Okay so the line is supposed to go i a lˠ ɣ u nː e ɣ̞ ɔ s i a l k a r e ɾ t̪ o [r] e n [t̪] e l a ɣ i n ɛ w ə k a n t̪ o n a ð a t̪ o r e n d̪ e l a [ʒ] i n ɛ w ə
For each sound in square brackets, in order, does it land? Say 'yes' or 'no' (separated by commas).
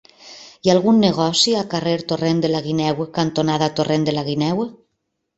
yes, no, no